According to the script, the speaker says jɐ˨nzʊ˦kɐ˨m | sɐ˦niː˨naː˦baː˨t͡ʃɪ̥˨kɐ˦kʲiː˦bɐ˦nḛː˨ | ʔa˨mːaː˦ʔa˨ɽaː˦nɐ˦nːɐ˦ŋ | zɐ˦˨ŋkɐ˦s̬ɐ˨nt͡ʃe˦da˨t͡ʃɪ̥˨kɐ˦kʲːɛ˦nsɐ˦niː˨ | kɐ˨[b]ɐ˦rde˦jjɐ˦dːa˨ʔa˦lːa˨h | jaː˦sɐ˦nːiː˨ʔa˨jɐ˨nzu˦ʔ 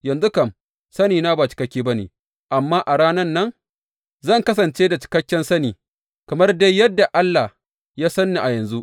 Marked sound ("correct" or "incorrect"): incorrect